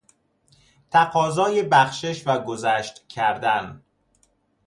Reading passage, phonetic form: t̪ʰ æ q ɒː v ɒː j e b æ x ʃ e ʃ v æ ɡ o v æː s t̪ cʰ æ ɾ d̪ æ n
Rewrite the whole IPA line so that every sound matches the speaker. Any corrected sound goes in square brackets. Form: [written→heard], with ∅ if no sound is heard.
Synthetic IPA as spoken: t̪ʰ æ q ɒː [v→z] ɒː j e b æ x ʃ e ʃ v æ ɡ o [v→z] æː [s→ʃ] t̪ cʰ æ ɾ d̪ æ n